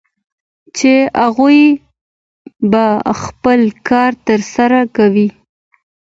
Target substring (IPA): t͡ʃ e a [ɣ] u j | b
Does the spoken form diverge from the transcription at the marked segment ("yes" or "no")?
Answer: no